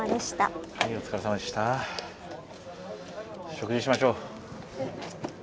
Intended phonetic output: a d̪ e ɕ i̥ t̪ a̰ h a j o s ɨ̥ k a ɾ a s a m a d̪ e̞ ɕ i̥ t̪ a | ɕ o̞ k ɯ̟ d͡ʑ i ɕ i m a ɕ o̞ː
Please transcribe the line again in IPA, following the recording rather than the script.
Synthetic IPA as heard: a d̪ e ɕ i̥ t̪ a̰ h a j o t͡s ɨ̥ k a ɾ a s a m a d̪ e̞ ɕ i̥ t̪ a | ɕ o̞ k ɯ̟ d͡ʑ i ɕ i m a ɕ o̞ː